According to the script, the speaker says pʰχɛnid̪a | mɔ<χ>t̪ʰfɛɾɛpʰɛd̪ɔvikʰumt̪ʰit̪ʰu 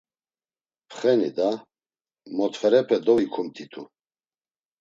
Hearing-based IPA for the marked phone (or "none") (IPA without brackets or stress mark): none